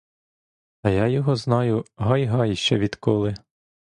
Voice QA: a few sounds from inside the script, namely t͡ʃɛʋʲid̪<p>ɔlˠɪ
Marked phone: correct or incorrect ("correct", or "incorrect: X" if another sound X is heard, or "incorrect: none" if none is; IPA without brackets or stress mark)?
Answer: incorrect: k